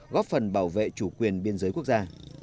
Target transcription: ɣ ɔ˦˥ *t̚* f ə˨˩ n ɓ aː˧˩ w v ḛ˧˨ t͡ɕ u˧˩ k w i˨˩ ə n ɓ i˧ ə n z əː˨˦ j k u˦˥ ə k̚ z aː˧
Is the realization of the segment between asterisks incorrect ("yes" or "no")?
yes